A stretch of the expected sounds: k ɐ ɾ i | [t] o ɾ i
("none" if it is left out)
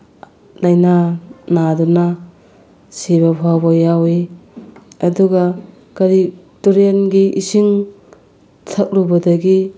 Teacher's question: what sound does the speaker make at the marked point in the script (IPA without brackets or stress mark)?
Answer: t